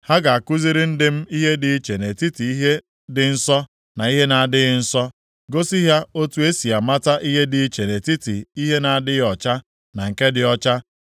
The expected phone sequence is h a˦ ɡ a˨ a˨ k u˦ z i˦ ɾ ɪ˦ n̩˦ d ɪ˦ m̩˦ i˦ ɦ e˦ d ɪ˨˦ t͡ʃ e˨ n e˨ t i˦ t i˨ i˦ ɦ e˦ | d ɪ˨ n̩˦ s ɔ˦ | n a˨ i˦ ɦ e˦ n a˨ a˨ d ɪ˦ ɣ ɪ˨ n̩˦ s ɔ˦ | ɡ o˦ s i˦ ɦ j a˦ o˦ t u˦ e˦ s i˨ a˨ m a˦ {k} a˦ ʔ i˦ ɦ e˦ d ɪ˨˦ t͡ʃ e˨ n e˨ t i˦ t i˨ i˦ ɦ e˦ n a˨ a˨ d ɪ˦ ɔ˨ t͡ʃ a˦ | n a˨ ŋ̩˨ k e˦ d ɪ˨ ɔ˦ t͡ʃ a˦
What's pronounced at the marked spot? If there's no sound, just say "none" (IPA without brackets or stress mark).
t